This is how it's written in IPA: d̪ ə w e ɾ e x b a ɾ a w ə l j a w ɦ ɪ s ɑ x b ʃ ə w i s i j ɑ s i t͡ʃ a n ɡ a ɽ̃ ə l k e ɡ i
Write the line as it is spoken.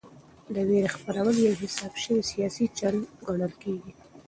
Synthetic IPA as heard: d̪ ə w e ɾ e x p a ɾ a w ə l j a w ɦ ɪ s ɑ b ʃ ə w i s i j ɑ s i t͡ʃ a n ɡ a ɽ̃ ə l k e ɡ i